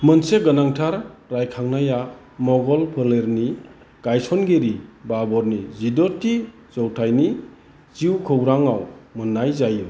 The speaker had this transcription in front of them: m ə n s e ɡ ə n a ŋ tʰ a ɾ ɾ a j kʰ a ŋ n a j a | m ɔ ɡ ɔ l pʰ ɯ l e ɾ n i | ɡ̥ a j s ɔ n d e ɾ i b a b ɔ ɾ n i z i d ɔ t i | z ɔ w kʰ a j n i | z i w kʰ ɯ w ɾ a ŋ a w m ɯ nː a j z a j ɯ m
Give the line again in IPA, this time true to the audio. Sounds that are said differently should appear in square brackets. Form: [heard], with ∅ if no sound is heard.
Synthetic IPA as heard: m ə n s e ɡ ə n a ŋ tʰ a ɾ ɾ a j kʰ a ŋ n a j a | m ɔ ɡ ɔ l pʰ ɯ l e ɾ n i | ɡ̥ a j s ɔ n [ɡ] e ɾ i b a b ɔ ɾ n i z i d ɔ t i | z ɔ w [tʰ] a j n i | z i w kʰ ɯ w ɾ a ŋ a w m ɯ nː a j z a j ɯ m